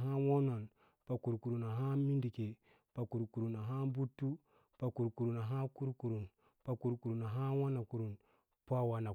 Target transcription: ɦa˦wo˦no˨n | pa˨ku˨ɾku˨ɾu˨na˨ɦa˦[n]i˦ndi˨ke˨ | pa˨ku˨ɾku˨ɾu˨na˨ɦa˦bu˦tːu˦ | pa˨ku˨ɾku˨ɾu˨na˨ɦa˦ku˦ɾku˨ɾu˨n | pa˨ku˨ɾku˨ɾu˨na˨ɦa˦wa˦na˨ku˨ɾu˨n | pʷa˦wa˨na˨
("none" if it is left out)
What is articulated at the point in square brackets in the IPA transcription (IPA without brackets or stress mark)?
m